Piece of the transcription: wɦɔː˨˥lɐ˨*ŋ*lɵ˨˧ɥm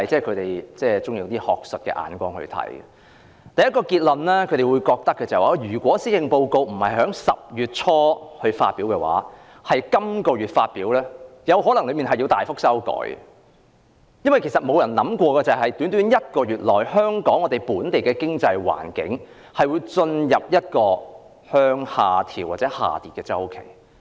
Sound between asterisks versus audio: correct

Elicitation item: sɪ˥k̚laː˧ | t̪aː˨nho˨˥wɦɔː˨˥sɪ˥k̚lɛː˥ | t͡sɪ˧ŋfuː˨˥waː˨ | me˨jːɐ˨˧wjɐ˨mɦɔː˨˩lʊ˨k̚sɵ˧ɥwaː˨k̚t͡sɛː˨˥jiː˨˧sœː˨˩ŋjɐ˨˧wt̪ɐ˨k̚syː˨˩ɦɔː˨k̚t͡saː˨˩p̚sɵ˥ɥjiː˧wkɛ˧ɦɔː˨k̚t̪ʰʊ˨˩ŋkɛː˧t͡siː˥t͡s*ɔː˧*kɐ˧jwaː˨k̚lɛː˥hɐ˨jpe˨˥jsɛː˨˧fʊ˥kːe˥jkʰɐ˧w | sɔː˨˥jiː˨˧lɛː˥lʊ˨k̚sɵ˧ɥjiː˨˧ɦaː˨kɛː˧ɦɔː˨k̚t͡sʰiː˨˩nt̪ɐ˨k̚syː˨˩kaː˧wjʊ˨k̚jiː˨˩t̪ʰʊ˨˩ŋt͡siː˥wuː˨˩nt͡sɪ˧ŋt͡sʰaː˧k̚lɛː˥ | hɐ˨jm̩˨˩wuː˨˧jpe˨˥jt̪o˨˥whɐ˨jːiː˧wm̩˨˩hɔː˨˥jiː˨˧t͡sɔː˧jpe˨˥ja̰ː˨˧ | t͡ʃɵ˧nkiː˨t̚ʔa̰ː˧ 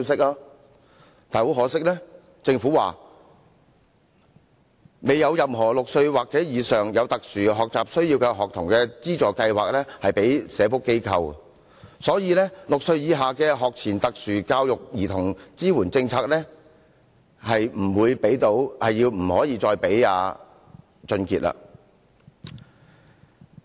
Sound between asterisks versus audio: incorrect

